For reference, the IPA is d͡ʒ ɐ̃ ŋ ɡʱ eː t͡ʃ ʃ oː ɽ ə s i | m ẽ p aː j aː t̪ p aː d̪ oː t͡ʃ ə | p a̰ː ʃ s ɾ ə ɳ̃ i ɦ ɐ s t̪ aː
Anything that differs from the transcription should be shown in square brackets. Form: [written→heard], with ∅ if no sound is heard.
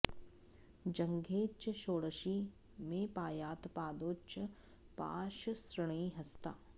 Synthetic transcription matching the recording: d͡ʒ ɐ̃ ŋ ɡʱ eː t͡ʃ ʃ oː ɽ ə [s→ʃ] i | m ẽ p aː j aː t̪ p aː d̪ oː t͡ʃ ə | p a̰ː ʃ s ɾ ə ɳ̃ i ɦ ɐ s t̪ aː